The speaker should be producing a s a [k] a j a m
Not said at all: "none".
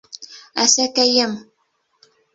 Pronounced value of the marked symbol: k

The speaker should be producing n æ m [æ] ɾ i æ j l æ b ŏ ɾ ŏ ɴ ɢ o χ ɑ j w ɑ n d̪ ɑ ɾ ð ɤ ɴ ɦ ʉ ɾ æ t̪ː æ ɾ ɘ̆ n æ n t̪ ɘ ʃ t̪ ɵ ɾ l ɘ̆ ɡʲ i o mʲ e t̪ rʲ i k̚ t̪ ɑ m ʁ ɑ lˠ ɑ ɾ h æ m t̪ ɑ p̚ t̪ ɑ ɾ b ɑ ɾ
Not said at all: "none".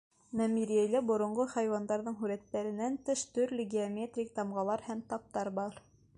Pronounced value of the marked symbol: i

